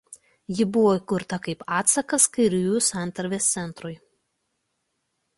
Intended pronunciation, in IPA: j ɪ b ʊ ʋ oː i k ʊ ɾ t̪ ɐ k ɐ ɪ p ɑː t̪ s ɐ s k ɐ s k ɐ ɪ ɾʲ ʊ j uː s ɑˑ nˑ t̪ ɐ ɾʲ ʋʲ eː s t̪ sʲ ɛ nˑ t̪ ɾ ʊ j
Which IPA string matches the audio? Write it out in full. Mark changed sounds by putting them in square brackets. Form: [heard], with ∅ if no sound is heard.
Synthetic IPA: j ɪ b ʊ ʋ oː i k ʊ ɾ t̪ ɐ k ɐ ɪ p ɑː t̪ s ɐ [∅] k ɐ s k ɐ ɪ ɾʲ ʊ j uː s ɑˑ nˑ t̪ ɐ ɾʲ ʋʲ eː s t̪ sʲ ɛ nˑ t̪ ɾ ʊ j